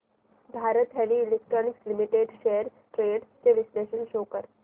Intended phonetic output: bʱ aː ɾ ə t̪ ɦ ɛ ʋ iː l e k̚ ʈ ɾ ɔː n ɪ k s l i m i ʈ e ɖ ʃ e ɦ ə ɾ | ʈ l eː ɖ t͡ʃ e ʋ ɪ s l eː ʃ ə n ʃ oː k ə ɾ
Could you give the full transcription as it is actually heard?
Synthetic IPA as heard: bʱ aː ɾ ə t̪ ɦ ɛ ʋ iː l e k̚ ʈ ɾ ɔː n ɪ k s l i m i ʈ e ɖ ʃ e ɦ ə ɾ | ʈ ɾ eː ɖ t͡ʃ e ʋ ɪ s l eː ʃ ə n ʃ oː k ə ɾ